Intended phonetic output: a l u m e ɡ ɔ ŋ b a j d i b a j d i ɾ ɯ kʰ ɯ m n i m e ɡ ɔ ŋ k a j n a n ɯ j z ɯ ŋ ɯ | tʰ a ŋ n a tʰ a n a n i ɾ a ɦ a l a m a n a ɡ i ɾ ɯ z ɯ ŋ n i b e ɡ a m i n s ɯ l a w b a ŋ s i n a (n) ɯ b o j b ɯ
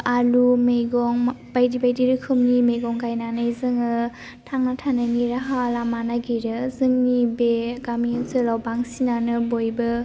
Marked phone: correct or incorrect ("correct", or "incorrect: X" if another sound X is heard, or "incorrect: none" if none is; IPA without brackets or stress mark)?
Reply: correct